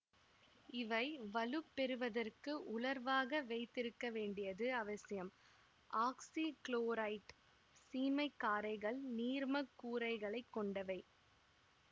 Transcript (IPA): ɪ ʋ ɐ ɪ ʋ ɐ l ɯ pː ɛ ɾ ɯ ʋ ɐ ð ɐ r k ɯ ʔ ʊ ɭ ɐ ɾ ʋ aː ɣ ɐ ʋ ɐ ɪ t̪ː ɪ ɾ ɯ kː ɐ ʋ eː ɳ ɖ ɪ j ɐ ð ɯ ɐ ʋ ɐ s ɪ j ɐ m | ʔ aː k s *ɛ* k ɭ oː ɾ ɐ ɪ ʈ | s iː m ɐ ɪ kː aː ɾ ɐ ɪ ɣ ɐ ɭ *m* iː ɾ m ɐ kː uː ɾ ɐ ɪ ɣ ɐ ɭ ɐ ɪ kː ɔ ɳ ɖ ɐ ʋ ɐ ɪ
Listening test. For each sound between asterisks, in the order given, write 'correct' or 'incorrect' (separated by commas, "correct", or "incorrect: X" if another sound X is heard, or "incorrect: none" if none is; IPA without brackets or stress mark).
incorrect: i, incorrect: n